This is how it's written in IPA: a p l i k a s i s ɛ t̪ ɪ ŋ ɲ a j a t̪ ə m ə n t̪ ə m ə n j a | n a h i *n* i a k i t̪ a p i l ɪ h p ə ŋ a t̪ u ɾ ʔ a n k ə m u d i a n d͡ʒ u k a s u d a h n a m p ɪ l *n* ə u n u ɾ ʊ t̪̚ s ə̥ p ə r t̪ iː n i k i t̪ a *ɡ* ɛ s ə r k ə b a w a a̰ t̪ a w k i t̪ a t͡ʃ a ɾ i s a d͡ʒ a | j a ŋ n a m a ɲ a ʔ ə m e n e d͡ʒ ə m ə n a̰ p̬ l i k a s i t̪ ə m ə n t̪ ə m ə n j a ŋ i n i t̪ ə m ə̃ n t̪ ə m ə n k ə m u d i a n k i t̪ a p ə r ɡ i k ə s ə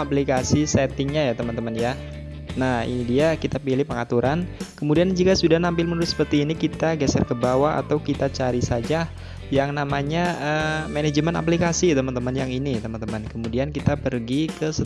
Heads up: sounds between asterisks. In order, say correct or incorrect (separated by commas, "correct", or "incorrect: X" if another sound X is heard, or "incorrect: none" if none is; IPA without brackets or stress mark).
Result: incorrect: d, incorrect: m, correct